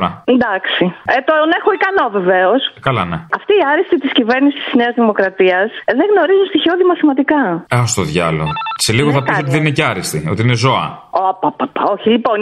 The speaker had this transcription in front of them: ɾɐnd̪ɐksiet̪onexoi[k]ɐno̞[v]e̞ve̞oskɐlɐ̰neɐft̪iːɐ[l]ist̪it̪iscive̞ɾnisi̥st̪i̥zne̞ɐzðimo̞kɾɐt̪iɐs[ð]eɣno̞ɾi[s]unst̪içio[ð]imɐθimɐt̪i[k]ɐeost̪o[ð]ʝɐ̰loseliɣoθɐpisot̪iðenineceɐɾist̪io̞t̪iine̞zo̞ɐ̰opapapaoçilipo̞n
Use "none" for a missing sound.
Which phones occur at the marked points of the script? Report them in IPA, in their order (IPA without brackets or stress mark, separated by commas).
k, v, ɾ, ð, z, ð, k, ð